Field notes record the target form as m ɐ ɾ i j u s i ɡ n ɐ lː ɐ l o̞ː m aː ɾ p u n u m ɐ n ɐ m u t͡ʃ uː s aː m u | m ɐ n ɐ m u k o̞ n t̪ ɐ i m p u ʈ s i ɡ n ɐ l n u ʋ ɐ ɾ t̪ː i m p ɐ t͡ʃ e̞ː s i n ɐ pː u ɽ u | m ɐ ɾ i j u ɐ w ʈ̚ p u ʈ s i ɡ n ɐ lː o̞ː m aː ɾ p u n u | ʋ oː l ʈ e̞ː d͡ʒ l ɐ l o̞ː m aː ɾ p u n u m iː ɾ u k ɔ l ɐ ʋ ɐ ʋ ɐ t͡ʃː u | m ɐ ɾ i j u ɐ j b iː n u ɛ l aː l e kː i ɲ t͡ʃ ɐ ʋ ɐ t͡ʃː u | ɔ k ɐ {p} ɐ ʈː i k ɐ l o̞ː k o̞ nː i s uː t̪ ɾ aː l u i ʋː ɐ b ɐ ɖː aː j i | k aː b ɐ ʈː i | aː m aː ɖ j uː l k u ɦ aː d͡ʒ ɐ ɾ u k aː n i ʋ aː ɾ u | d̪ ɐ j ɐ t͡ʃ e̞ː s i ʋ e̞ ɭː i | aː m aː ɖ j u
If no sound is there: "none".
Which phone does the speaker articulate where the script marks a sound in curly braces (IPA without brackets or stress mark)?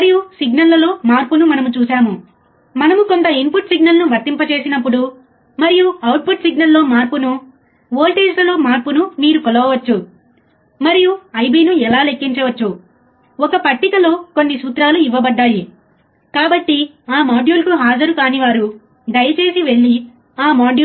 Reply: p